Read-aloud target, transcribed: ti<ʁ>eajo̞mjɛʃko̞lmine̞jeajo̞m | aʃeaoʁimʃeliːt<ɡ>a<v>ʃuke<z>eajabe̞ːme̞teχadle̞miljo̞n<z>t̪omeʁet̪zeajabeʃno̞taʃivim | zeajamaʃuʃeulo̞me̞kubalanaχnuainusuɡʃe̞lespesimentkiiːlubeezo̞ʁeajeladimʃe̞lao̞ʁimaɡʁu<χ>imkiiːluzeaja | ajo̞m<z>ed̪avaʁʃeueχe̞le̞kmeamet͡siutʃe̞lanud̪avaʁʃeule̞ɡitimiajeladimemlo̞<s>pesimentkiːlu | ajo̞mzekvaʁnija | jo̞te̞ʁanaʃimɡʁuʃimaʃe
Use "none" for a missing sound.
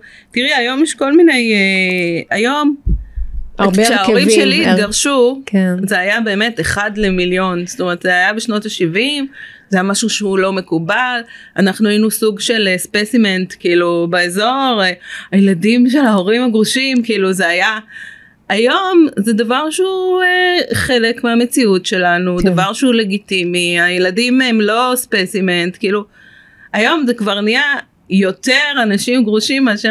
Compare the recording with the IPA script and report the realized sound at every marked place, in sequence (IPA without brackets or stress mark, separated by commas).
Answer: ʁ, ɡ, ʁ, z, s, ʃ, z, s